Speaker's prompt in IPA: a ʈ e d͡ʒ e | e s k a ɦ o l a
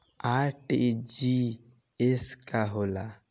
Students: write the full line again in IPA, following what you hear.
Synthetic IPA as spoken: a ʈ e d͡ʒ i | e s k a ɦ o l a